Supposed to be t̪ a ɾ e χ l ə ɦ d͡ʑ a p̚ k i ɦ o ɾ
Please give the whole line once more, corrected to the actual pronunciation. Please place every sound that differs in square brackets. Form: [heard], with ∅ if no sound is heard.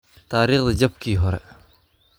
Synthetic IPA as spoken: t̪ a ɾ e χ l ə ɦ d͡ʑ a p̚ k i ɦ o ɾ

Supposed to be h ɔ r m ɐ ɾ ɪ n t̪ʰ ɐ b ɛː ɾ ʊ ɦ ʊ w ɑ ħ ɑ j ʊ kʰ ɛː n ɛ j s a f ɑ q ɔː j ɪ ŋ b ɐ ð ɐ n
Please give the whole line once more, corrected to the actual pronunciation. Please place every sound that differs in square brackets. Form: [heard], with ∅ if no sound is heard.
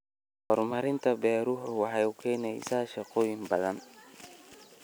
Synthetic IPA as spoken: h ɔ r m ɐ ɾ ɪ n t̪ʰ ɐ b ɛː ɾ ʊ ɦ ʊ w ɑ ħ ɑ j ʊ kʰ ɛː n ɛ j s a [ʃ] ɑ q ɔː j ɪ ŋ b ɐ ð ɐ n

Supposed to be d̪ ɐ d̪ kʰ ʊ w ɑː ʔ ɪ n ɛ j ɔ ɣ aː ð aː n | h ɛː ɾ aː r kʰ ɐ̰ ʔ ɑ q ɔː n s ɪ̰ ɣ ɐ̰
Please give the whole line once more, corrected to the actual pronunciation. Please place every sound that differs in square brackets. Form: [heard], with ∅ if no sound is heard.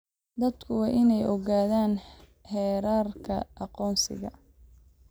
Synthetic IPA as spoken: d̪ ɐ d̪ kʰ ʊ w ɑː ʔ ɪ n ɛ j ɔ ɣ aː ð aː n | h ɛː ɾ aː r kʰ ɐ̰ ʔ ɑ q ɔː n s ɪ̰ ɣ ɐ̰

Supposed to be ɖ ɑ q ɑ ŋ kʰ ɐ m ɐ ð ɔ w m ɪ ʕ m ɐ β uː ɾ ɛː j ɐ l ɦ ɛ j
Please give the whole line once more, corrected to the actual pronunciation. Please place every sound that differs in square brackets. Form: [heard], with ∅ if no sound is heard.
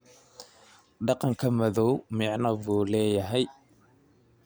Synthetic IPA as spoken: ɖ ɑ q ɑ ŋ kʰ ɐ m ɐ ð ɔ w m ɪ ʕ [n] ɐ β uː [l] ɛː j ɐ [∅] ɦ ɛ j

